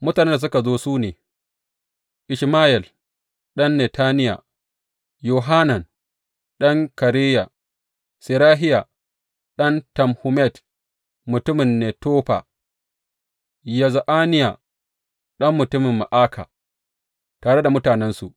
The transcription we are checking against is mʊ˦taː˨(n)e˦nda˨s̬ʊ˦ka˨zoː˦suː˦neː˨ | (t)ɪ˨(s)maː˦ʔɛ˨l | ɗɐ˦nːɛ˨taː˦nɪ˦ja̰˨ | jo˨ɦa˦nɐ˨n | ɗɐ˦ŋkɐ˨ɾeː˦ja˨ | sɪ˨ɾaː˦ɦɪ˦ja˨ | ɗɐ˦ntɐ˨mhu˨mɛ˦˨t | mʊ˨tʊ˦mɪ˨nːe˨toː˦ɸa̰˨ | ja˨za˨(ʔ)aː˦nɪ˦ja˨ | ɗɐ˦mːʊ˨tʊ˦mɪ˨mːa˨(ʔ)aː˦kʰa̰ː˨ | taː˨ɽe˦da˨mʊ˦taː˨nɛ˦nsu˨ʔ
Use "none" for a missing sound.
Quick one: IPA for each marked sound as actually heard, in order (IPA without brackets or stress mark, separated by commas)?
n, ʔ, ʃ, ʔ, ʔ